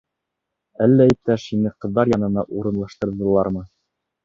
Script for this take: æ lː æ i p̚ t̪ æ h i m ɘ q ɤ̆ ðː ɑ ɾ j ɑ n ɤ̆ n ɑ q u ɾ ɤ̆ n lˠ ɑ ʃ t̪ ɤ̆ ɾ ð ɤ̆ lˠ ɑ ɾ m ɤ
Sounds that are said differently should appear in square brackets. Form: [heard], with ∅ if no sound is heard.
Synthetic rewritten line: æ lː æ i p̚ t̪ æ [ʃ] i [n] ɘ q ɤ̆ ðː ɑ ɾ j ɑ n ɤ̆ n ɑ [ʔ] u ɾ ɤ̆ n lˠ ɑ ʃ t̪ ɤ̆ ɾ ð ɤ̆ lˠ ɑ ɾ m ɤ